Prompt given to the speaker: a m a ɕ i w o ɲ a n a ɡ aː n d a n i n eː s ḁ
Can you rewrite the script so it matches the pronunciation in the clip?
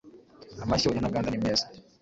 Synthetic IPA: a m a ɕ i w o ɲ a n a ɡ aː n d a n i m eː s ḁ